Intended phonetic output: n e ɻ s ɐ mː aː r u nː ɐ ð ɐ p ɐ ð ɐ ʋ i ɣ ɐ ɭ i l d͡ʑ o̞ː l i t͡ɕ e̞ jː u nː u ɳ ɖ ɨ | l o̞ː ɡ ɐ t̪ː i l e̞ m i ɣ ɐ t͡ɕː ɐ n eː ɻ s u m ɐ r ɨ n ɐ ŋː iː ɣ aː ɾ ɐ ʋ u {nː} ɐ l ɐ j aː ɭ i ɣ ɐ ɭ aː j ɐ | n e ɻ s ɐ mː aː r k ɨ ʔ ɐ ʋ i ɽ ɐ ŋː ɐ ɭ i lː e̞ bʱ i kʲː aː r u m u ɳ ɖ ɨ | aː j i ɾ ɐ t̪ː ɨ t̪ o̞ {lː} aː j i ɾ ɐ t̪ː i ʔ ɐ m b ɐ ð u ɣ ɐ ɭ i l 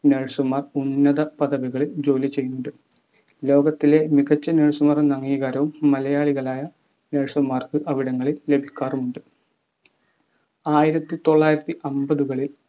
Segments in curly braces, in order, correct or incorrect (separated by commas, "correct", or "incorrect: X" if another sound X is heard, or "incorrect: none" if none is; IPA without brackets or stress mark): incorrect: mː, incorrect: ɭː